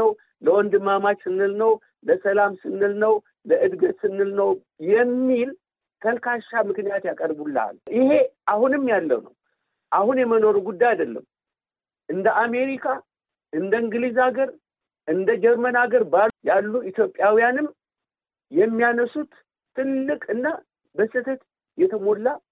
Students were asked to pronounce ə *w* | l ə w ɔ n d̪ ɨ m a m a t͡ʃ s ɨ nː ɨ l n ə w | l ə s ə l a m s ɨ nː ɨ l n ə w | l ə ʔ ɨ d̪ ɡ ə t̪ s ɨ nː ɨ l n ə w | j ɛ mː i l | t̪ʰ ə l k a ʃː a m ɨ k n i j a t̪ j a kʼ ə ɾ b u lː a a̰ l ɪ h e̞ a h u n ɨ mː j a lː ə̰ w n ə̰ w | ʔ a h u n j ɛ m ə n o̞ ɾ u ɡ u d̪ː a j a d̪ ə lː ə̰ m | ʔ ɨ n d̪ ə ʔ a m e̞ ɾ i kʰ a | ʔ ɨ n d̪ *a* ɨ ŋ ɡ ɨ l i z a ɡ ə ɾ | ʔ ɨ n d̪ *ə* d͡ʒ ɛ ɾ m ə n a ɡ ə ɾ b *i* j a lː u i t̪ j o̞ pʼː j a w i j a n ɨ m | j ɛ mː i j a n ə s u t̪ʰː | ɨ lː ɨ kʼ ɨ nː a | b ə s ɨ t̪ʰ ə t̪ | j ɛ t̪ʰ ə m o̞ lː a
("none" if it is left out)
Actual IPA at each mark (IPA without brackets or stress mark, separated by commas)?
w, ə, ə, a